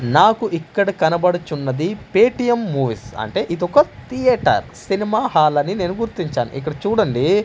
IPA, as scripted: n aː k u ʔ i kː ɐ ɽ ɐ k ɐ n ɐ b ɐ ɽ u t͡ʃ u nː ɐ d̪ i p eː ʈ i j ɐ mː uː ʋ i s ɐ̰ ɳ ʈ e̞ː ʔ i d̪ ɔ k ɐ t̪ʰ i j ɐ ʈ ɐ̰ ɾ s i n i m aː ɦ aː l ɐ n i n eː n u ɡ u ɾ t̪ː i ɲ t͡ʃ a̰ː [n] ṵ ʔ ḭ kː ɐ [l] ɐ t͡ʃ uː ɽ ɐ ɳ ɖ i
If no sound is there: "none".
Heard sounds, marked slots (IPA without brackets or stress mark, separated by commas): n, ɽ